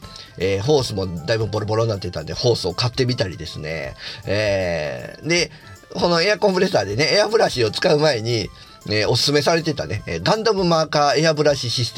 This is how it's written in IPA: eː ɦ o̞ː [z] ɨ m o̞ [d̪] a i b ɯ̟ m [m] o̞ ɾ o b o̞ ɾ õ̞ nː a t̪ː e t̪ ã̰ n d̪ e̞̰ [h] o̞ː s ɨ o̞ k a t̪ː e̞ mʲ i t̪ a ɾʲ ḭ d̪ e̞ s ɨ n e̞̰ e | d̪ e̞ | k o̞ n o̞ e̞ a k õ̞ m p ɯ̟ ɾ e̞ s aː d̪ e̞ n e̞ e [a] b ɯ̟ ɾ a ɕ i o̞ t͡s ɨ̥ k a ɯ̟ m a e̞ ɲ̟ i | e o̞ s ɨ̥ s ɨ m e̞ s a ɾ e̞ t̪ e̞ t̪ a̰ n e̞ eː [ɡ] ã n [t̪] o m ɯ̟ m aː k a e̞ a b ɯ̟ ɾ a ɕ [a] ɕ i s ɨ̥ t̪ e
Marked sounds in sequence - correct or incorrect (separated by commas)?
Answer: incorrect, correct, incorrect, correct, correct, correct, incorrect, incorrect